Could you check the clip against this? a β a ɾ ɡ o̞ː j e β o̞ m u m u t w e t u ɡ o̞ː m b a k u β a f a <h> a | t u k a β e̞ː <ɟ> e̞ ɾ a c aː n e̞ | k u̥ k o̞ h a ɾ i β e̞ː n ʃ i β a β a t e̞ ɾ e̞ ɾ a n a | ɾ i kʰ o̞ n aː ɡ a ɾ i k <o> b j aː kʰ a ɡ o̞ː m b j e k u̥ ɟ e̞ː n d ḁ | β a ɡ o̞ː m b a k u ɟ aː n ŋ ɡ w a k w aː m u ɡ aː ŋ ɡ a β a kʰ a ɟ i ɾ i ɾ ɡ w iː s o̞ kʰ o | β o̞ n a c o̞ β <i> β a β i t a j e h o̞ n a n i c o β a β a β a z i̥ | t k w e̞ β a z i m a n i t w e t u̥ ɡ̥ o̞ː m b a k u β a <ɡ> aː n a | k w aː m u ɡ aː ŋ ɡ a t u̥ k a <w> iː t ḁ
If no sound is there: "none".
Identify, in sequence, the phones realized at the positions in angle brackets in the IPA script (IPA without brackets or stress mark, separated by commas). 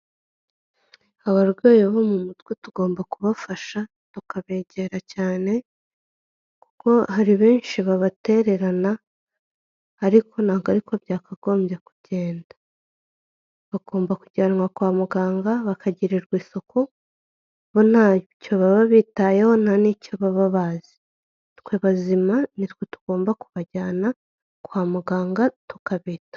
ʃ, ɟ, o, a, ɟ, β